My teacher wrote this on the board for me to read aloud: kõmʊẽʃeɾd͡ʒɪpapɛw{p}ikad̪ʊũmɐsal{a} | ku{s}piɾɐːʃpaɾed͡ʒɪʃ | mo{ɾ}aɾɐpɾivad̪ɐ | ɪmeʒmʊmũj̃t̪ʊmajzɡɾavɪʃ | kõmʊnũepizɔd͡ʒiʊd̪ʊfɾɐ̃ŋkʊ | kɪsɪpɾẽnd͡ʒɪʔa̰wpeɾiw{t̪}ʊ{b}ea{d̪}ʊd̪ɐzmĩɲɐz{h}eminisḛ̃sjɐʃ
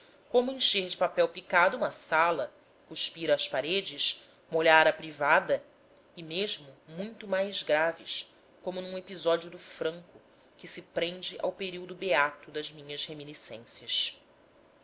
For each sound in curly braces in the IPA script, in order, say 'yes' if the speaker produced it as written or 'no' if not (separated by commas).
yes, no, no, no, no, yes, no, yes